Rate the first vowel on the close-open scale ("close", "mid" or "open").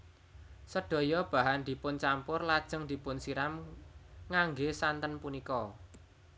mid